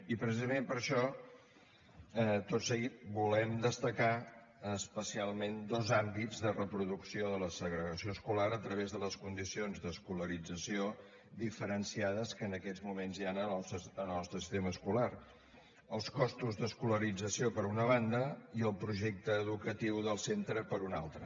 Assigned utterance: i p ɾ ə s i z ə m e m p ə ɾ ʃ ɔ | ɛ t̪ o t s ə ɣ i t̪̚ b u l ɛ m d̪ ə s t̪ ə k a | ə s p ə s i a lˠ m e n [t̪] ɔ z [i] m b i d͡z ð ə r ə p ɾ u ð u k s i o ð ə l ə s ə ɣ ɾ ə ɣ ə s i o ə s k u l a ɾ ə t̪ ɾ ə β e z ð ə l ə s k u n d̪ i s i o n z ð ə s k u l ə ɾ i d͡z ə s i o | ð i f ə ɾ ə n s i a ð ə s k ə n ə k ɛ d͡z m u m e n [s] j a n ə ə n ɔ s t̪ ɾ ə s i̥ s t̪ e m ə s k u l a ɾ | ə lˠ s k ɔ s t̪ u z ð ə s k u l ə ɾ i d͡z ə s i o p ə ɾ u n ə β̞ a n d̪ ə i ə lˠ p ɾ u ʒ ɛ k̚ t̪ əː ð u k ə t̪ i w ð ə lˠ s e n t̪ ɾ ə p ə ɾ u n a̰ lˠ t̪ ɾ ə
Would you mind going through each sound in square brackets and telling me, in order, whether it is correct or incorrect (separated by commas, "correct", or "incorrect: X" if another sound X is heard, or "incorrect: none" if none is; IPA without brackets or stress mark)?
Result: incorrect: d̪, incorrect: a, incorrect: z